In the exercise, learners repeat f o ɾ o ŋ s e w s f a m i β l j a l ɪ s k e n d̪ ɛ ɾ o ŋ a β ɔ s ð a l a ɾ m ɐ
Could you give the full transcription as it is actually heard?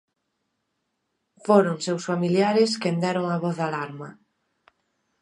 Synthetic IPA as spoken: f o ɾ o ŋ s e w s f a m i l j a ɾ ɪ s k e n d̪ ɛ ɾ o ŋ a β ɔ θ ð a l a ɾ m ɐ